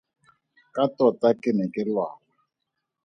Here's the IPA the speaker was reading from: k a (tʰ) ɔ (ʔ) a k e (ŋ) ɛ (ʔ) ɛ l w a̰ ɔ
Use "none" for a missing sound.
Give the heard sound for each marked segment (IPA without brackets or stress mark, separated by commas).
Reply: t, t, n, k